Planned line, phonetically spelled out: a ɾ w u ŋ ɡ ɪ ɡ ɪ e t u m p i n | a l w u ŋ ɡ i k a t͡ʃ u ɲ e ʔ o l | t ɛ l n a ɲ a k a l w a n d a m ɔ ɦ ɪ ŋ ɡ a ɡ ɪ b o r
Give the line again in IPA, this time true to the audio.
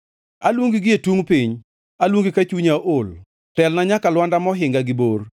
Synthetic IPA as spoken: a l w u ŋ ɡ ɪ ɡ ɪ e t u ŋ p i ɲ | a l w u ŋ ɡ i k a t͡ʃ u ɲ a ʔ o l | t ɛ l n a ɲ a k a l w a n d a m ɔ ɦ ɪ ŋ ɡ a ɡ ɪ b o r